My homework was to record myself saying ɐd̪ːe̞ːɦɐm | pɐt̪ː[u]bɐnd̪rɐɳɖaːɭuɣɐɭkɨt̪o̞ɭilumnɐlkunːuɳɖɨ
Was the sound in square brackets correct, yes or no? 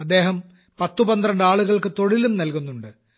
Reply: yes